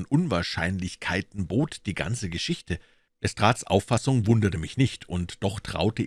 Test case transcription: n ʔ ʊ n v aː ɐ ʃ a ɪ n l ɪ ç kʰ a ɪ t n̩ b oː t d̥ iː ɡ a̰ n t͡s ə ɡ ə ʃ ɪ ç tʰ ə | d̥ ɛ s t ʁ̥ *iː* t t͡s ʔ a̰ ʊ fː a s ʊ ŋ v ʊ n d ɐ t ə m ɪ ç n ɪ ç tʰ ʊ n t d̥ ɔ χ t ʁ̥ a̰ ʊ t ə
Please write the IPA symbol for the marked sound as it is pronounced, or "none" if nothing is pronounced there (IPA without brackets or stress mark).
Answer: aː